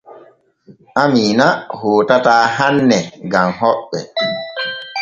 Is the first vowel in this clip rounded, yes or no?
no